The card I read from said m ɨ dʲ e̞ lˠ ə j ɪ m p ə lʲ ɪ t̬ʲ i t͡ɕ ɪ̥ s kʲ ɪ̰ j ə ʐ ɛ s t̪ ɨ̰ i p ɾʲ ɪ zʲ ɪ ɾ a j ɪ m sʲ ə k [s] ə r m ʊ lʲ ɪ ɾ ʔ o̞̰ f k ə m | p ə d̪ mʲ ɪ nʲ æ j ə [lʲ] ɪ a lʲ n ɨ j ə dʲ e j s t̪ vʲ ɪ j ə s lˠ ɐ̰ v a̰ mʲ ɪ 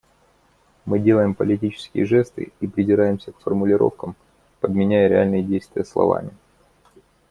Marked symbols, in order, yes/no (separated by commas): no, no